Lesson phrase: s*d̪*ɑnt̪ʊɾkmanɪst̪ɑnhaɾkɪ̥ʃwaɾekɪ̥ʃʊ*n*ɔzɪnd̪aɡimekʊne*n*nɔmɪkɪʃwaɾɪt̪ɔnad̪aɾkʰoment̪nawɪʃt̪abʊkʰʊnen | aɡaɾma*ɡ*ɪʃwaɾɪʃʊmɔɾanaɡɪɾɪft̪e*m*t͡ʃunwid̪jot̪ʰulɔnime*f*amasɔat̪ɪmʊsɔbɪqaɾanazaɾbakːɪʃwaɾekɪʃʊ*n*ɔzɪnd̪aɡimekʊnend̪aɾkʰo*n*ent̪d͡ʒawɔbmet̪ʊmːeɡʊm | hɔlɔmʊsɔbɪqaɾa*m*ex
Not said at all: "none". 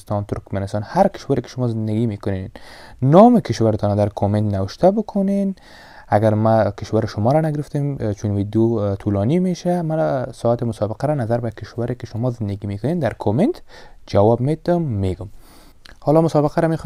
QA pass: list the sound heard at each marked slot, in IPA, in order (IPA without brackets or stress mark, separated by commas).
t̪, m, n, k, m, ʃ, m, m, m